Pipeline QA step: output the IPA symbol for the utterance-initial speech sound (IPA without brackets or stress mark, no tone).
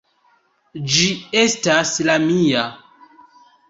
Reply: d͡ʒ